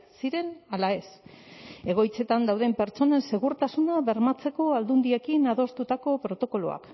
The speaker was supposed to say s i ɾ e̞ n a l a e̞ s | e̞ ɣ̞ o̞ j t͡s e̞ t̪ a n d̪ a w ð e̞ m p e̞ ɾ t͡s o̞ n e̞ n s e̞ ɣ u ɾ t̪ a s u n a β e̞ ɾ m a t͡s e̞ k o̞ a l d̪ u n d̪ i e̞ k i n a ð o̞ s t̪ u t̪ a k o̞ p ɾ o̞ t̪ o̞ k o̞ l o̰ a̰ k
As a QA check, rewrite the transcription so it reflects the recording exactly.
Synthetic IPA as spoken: s i ɾ e̞ n a l a e̞ s | e̞ ɣ̞ o̞ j t͡s e̞ t̪ a n d̪ a w ð e̞ m p e̞ ɾ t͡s o̞ n e̞ n s e̞ ɣ u ɾ t̪ a s u n a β e̞ ɾ m a t͡s e̞ k o̞ a l d̪ u n d̪ i e̞ k i n a ð o̞ s t̪ u t̪ a k o̞ p ɾ o̞ t̪ o̞ k o̞ l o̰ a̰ k